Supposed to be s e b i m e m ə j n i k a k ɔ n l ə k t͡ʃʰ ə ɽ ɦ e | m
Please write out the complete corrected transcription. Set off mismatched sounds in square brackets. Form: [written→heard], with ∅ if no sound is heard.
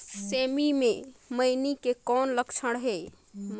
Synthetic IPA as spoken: s e [b→m] i m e m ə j n i k [a→e] k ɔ n l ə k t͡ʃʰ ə ɽ ɦ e | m